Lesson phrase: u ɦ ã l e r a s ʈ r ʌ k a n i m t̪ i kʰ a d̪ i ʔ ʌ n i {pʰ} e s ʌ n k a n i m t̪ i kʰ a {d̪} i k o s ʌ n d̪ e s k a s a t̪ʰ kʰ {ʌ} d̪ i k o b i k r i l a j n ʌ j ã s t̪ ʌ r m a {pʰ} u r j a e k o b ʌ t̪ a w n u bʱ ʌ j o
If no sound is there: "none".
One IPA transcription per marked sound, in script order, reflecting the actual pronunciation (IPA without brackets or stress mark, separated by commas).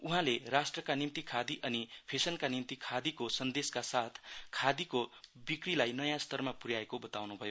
pʰ, d̪, a, p